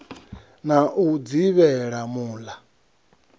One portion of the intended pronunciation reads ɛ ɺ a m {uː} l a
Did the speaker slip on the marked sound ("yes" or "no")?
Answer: no